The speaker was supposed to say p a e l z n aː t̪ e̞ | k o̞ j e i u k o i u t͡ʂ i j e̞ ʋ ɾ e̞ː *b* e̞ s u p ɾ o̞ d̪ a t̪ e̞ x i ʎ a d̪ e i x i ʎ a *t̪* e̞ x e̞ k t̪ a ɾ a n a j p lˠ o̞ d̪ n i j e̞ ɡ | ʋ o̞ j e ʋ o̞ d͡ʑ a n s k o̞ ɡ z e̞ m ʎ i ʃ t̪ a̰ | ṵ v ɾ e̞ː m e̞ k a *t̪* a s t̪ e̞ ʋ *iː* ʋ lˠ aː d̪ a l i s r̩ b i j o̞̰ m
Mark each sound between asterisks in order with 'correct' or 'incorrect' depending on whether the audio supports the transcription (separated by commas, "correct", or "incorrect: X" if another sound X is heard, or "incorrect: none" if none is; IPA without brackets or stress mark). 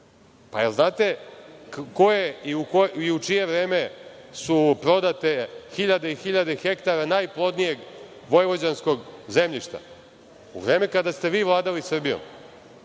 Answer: incorrect: m, incorrect: d̪, incorrect: d̪, correct